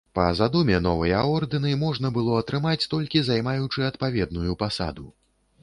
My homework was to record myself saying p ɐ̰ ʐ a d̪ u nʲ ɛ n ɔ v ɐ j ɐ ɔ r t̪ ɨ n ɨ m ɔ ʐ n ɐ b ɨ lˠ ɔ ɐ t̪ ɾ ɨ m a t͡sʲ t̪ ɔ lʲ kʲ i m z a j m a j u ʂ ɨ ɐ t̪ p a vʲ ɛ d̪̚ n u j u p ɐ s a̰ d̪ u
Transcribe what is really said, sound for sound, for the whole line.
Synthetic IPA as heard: p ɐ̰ z a d̪ u mʲ ɛ n ɔ v ɐ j ɐ ɔ r d̪ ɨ n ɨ m ɔ ʐ n ɐ b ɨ lˠ ɔ ɐ t̪ ɾ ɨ m a t͡sʲ t̪ ɔ lʲ kʲ i z a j m a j u t͡ʂ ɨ ɐ t̪ p a vʲ ɛ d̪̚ n u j u p a s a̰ d̪ u